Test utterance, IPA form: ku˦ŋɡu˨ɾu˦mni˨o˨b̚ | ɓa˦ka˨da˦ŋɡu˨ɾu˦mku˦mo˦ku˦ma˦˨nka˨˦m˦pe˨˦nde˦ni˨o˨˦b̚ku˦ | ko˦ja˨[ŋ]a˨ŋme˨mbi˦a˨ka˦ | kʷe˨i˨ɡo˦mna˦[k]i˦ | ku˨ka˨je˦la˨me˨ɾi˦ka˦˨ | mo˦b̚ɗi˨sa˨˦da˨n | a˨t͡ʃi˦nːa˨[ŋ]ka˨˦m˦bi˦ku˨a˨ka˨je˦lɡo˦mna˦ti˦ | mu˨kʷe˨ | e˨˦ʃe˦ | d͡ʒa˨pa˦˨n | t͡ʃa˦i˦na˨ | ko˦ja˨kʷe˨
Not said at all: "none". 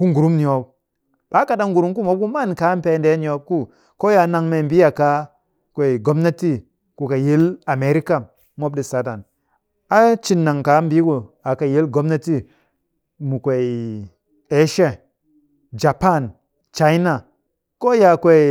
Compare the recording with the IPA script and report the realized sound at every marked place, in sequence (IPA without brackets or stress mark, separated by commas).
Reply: n, t, ŋ